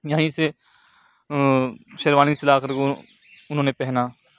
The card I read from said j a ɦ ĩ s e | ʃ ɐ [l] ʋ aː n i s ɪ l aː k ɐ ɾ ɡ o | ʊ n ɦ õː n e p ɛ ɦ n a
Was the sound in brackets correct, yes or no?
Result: no